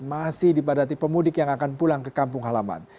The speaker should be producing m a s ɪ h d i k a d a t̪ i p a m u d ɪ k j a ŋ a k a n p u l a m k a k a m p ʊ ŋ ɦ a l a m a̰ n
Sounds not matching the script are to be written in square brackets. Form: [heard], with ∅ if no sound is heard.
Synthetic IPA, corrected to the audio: m a s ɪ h d i [p] a d a t̪ i p [ə] m u d ɪ k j a ŋ a k a n p u l a [ŋ] k [ə] k a m p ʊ ŋ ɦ a l a m a̰ n